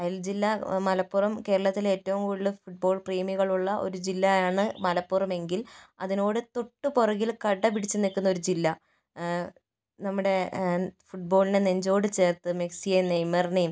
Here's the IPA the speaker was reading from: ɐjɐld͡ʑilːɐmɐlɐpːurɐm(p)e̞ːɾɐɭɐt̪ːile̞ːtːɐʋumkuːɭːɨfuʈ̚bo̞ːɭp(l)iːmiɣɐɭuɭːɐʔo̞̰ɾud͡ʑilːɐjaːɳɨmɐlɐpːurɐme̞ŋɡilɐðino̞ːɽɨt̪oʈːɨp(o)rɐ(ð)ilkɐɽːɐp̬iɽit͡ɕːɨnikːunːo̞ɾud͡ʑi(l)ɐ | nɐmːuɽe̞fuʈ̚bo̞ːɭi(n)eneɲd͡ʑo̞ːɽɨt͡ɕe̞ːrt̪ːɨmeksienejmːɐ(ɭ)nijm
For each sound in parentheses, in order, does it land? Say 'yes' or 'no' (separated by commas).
no, no, yes, no, no, yes, no